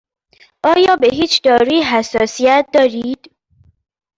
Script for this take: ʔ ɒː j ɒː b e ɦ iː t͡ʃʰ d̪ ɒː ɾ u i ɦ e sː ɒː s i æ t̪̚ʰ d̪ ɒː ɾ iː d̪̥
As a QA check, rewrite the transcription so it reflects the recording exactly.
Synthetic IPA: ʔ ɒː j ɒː b e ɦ iː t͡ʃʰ d̪ ɒː ɾ u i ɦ æ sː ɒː s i æ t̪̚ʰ d̪ ɒː ɾ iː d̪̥